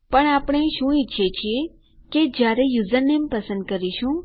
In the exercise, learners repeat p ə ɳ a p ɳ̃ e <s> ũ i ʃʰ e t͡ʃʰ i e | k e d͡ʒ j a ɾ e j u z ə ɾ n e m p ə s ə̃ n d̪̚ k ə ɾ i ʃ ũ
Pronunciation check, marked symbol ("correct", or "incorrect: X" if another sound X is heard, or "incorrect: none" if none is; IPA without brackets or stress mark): incorrect: ʃ